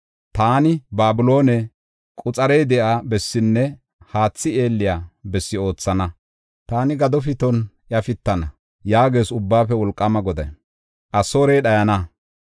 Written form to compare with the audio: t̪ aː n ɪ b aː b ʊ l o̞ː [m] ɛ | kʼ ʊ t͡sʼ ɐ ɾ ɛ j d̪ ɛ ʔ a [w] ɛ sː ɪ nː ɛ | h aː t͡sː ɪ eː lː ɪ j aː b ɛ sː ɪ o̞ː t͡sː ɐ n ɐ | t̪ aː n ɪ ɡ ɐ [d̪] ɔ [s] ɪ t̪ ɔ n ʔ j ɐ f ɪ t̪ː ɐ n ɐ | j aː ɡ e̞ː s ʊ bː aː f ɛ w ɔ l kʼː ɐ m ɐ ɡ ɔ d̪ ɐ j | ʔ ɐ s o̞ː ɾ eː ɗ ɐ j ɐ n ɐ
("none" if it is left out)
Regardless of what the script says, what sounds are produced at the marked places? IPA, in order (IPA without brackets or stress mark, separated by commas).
n, b, d̪, f